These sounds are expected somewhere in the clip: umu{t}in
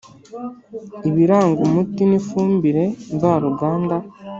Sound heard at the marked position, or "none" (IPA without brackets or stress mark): t